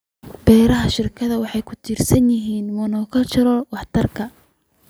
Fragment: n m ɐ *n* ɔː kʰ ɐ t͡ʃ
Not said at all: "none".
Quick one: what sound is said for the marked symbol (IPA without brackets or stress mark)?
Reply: n